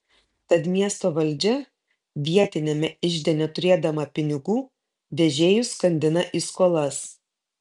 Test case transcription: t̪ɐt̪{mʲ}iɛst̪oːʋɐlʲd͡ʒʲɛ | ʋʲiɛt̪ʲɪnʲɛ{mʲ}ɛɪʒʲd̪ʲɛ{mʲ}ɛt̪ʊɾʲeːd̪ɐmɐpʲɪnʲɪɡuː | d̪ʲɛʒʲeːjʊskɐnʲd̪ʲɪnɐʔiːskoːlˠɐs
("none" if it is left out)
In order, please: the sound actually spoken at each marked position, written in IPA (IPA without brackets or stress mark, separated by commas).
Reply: mʲ, mʲ, nʲ